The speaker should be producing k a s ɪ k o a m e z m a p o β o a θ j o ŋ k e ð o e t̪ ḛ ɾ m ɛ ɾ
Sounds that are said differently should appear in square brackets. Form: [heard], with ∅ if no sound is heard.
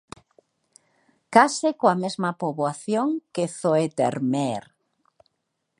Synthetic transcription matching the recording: k a s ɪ k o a m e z m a p o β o a θ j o ŋ k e [θ] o e t̪ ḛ ɾ m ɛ ɾ